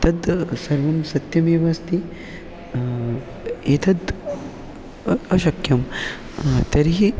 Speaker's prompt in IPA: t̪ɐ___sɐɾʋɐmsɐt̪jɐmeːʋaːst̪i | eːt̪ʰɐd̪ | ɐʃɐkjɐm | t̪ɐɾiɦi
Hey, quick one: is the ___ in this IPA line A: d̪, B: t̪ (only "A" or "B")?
A